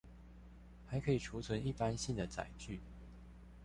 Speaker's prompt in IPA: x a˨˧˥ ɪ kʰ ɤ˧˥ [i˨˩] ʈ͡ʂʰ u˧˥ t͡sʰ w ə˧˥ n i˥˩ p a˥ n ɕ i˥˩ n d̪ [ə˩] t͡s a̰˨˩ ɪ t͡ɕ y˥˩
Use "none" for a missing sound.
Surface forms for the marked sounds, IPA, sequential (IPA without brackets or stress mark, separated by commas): i˨˩, ə˩